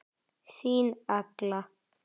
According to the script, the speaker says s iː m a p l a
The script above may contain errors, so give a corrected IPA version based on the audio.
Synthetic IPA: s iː n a k l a